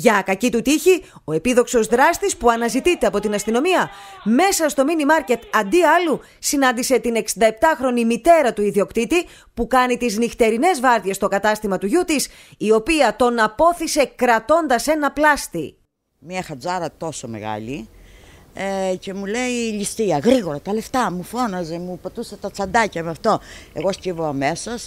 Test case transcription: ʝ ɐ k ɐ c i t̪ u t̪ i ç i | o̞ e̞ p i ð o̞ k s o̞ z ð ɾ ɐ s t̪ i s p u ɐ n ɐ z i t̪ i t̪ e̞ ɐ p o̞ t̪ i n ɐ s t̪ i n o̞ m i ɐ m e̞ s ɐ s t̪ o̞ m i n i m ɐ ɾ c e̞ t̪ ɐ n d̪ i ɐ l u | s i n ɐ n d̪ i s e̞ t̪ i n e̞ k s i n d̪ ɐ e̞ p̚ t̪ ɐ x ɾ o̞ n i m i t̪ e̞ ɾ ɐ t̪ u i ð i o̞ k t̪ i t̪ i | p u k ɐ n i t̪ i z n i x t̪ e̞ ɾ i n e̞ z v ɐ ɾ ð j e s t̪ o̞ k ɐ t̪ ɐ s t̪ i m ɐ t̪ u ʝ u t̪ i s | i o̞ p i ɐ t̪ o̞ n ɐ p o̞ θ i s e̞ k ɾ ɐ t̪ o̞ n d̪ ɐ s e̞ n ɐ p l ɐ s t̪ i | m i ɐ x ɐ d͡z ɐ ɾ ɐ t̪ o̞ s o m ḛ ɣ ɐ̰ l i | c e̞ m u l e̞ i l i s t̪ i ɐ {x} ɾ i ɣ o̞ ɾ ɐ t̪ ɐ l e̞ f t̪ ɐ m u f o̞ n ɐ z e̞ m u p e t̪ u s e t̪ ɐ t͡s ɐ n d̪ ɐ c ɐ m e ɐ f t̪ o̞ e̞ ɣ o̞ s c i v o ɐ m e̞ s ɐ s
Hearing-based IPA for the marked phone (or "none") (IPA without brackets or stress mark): ɣ